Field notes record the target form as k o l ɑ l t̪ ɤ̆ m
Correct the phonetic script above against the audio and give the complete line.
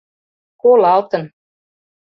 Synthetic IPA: k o l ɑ l t̪ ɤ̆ n